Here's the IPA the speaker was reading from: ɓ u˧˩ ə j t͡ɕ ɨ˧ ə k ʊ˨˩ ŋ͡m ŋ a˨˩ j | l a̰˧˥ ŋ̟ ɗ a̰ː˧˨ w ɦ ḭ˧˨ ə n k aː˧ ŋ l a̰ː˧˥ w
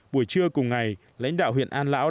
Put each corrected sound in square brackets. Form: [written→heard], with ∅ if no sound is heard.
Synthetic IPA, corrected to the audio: ɓ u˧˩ ə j t͡ɕ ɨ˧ ə k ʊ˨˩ ŋ͡m ŋ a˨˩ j | l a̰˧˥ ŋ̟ ɗ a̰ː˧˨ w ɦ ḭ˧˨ ə n [k→ʔ] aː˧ [ŋ→n] l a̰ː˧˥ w